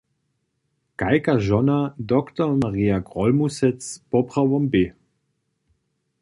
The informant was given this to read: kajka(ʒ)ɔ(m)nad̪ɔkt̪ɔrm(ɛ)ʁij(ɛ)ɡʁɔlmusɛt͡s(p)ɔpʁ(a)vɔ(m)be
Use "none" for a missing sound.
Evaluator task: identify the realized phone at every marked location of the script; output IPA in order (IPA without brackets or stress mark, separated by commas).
ʒ, none, a, a, p, a, m